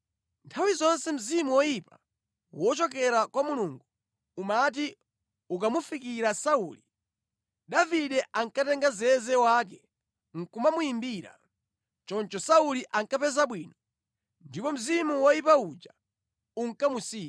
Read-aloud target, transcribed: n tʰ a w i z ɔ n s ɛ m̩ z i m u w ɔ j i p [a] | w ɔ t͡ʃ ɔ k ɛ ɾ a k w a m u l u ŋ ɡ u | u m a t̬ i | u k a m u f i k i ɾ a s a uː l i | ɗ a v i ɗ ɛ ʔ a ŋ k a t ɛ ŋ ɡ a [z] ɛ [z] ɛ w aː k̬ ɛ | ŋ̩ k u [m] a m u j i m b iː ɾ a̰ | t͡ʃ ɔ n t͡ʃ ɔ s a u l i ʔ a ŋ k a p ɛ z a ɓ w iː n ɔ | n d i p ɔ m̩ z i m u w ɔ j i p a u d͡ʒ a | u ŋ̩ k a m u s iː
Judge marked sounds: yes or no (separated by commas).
yes, yes, yes, yes